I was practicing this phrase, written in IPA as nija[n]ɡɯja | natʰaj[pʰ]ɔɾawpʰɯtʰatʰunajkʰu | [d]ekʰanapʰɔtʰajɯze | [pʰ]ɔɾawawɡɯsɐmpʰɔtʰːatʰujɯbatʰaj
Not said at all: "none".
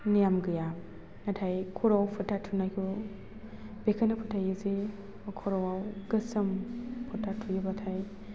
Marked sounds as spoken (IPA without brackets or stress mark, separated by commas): m, kʰ, b, kʰ